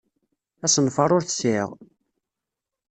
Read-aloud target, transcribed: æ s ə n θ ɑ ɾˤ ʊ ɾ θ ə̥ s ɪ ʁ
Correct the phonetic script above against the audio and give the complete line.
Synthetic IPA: æ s ə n f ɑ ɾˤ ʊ ɾ θ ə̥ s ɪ ʁ